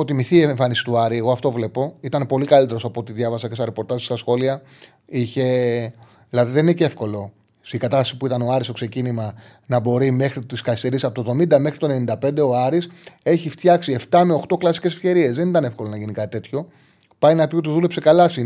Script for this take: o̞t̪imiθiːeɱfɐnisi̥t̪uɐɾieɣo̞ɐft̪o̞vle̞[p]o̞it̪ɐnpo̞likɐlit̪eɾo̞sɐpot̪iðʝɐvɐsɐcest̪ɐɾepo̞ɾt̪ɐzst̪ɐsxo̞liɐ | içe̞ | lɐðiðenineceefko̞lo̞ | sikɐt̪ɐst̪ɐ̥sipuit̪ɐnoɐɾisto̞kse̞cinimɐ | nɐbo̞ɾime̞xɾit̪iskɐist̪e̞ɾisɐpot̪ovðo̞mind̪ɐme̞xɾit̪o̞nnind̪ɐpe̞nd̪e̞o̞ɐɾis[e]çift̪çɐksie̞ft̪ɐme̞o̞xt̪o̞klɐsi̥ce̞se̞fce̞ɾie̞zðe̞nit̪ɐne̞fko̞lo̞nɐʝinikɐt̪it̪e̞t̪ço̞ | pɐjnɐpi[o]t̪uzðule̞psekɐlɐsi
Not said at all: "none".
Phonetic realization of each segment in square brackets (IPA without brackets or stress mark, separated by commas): p, e, o